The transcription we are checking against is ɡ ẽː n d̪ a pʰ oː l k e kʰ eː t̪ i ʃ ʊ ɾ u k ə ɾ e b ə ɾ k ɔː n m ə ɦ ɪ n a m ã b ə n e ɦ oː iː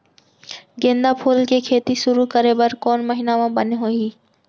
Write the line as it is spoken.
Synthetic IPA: ɡ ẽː n d̪ a pʰ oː l k e kʰ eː t̪ i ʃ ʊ ɾ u k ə ɾ e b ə ɾ k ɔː n m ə ɦ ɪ n a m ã b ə n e ɦ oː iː